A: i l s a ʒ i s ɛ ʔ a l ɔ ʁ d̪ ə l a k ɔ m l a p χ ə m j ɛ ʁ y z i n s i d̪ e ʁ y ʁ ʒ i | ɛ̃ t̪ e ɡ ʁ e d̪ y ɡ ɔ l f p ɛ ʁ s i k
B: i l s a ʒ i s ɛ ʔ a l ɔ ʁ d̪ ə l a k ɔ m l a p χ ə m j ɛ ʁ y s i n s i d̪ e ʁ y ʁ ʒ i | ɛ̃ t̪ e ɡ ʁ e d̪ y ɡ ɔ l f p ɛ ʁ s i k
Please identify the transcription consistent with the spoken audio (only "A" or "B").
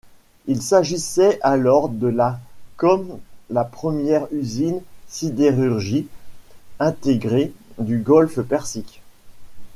A